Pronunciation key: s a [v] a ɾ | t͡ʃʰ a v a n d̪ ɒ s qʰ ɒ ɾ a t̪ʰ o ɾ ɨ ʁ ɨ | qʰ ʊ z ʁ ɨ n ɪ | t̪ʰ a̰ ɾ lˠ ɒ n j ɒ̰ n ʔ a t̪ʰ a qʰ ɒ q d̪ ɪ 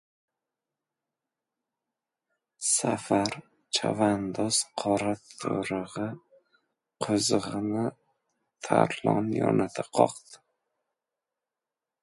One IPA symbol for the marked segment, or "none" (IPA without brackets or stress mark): f